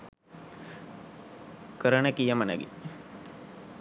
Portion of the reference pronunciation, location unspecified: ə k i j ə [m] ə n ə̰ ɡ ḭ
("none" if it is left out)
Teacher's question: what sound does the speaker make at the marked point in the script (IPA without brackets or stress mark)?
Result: m